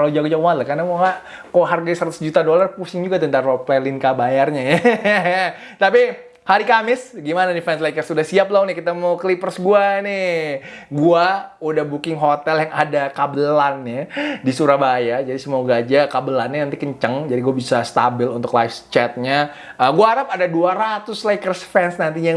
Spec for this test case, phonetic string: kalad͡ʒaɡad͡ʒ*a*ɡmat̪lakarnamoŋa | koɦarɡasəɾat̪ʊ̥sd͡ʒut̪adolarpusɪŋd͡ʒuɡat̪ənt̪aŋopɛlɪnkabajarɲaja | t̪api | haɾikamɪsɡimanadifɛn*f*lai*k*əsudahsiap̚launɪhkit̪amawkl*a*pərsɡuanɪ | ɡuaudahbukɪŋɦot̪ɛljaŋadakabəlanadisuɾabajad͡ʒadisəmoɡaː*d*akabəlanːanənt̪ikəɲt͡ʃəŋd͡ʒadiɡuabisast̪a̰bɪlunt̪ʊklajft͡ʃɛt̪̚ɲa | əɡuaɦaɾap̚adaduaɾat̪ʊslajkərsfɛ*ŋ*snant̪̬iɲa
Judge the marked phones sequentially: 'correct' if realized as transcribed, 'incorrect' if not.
correct, incorrect, correct, incorrect, incorrect, incorrect

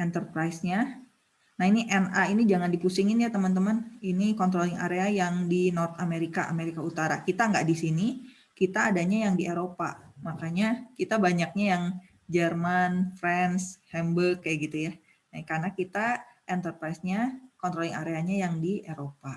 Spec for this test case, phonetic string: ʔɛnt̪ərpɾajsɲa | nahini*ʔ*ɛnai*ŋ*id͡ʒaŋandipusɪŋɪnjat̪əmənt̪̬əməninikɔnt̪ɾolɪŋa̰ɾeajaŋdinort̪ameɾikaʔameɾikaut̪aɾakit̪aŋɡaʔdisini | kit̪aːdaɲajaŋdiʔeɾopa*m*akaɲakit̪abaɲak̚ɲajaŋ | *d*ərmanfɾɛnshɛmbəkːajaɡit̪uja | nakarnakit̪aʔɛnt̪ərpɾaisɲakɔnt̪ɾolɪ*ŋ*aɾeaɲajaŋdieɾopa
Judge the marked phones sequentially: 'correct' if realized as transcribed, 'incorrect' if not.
correct, incorrect, correct, incorrect, correct

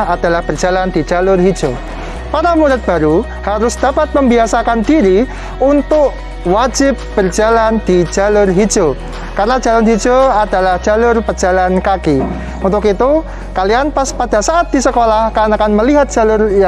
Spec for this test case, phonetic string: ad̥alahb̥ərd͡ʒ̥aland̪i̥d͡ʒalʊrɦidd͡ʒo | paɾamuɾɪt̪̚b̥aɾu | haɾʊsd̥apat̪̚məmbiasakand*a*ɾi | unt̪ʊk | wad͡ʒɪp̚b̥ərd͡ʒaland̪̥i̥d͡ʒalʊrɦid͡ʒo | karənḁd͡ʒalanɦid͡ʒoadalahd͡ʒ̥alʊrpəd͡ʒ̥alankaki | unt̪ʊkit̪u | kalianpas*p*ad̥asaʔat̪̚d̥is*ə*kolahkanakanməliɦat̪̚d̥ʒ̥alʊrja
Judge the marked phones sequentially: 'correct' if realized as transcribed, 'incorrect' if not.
incorrect, correct, correct

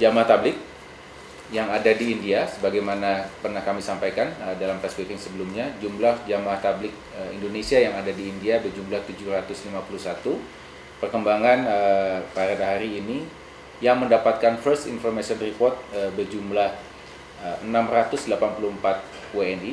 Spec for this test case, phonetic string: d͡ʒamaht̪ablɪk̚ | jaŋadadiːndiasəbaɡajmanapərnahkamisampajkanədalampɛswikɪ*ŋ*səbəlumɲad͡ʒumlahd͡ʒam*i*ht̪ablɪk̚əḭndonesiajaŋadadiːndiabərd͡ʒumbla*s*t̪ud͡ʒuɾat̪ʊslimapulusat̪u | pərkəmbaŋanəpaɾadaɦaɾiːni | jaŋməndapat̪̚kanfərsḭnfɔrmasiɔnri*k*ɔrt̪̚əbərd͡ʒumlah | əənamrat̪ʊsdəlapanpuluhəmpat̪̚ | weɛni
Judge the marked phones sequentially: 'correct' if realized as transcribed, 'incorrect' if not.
correct, incorrect, incorrect, incorrect

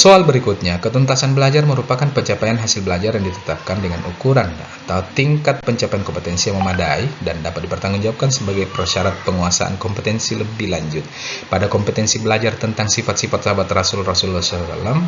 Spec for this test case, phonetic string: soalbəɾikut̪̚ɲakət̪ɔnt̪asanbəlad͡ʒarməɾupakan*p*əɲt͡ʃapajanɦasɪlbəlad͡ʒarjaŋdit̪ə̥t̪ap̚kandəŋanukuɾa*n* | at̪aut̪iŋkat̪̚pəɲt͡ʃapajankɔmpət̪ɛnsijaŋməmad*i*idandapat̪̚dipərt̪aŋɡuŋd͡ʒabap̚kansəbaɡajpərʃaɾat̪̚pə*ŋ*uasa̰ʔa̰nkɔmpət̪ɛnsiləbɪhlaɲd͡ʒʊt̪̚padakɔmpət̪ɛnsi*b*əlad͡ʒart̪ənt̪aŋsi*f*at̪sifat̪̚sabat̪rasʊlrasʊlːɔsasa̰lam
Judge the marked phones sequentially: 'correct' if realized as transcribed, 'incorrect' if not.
correct, correct, incorrect, correct, correct, correct

